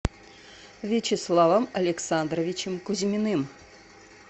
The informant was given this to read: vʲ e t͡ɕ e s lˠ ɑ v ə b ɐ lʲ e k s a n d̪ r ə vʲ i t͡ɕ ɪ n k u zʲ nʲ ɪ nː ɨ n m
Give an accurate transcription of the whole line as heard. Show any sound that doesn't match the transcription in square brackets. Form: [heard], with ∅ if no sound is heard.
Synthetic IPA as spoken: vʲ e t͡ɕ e s lˠ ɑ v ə [m] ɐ lʲ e k s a n d̪ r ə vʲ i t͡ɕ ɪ [m] k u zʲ [mʲ] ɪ [n] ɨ [∅] m